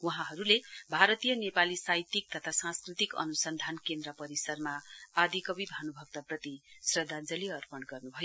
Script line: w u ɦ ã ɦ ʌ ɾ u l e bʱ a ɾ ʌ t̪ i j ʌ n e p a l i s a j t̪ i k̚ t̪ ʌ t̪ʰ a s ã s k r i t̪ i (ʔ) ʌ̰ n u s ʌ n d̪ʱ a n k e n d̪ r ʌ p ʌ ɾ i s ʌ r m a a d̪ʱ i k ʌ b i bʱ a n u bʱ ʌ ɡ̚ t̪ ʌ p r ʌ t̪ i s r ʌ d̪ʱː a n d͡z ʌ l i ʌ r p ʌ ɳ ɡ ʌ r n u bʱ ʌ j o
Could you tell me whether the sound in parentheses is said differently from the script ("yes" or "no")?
yes